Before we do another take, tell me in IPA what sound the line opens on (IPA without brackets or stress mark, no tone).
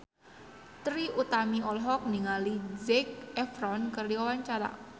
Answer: t̪